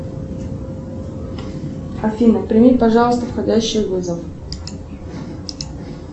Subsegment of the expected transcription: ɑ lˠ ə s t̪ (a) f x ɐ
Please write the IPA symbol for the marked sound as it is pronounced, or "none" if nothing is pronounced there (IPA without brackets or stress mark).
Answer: ə